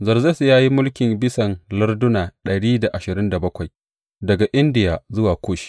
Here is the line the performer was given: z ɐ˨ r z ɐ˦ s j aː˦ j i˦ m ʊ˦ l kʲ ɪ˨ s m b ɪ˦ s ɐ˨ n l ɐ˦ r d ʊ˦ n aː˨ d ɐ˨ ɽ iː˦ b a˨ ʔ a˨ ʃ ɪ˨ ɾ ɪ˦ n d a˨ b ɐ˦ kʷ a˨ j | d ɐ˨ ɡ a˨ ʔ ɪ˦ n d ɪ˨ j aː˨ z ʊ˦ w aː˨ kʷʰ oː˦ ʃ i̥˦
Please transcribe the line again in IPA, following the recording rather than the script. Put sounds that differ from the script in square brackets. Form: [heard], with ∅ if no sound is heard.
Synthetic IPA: z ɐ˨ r z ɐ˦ s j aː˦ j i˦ m ʊ˦ l kʲ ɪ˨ [∅] m b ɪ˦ s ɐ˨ n l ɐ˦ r d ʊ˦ n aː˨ [ɗ] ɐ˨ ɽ iː˦ [d] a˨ ʔ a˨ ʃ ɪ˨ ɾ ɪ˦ n d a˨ b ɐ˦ kʷ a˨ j | d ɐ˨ ɡ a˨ ʔ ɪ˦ n d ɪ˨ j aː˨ z ʊ˦ w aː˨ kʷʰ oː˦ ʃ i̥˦

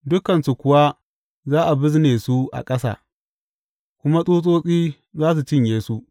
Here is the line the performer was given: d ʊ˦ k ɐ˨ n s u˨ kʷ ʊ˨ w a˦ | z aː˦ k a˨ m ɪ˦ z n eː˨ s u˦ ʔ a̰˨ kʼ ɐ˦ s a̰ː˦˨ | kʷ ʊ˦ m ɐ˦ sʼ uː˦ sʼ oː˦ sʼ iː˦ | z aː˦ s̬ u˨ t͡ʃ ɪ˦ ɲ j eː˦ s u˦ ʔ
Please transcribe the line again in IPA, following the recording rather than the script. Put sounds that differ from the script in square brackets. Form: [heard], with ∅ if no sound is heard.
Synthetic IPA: d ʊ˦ k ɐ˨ n s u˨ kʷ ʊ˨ w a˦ | z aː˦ [ʔ] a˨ [b] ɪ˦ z n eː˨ s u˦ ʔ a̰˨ kʼ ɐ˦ s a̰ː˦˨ | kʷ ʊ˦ m [a˦] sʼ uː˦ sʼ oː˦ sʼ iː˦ | z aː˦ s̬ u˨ t͡ʃ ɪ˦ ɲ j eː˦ s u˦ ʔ

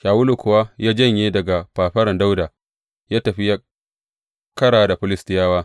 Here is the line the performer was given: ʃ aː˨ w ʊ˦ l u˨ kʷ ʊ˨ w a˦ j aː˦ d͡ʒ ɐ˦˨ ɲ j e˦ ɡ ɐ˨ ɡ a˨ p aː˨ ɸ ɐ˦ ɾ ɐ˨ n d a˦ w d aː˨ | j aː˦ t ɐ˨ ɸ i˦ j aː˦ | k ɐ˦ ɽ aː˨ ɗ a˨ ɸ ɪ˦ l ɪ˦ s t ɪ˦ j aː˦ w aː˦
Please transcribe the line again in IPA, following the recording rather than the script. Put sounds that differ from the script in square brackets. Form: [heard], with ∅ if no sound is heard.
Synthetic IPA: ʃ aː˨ w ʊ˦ l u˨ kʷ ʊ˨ w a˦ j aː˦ d͡ʒ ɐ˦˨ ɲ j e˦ [d] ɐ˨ ɡ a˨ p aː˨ ɸ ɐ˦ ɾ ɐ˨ n d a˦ w d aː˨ | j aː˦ t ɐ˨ ɸ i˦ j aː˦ | k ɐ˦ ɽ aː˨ [d] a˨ ɸ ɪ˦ l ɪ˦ s t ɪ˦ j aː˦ w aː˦

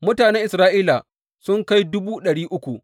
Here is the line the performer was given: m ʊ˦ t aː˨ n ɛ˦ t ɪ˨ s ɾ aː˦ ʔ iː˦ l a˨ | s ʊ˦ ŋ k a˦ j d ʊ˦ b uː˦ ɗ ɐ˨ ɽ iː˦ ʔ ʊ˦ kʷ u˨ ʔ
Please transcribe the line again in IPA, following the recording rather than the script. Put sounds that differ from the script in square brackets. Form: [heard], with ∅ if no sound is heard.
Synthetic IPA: m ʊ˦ t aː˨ n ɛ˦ [ʔ] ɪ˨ s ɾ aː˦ ʔ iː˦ l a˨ | s ʊ˦ ŋ k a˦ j d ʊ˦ b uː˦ ɗ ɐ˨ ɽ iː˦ ʔ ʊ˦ kʷ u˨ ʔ

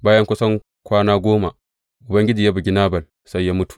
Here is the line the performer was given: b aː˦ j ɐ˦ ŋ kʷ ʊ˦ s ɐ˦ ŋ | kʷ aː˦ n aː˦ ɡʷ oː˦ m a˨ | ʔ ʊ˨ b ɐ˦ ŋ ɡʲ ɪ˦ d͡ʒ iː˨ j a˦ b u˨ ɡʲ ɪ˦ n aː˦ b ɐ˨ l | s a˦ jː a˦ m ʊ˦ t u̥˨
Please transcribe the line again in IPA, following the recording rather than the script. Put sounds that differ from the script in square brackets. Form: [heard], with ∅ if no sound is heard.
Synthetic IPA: b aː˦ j ɐ˦ ŋ kʷ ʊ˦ s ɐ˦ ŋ | kʷ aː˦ n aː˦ ɡʷ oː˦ m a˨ | ʔ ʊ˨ b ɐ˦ ŋ ɡʲ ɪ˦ d͡ʒ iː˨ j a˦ b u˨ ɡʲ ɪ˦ n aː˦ b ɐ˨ l | s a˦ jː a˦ m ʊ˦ t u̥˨

